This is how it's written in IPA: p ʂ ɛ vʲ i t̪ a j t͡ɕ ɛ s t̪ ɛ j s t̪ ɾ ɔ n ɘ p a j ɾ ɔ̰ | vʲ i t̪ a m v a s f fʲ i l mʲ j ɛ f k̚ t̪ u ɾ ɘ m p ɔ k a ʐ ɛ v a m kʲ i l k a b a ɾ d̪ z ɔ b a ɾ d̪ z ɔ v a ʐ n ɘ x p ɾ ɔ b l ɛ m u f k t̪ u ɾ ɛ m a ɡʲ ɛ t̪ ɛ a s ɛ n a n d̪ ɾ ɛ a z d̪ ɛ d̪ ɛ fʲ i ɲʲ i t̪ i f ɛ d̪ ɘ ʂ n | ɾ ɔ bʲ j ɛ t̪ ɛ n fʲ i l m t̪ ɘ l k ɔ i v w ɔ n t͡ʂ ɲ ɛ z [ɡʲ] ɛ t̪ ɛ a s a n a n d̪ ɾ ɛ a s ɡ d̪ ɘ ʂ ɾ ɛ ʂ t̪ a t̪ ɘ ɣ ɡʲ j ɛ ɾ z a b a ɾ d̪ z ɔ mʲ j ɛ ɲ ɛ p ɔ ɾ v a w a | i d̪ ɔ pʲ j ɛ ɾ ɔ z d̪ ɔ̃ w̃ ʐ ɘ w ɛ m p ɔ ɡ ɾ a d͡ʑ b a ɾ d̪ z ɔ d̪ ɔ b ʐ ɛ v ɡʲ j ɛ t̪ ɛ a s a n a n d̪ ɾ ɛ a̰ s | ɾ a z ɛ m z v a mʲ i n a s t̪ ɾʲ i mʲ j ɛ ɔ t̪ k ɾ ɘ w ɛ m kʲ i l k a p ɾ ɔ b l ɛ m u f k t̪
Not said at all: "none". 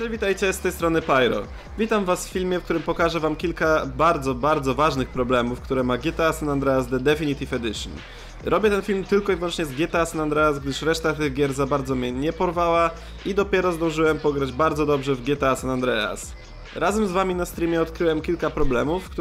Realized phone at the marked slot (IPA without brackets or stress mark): ɡʲ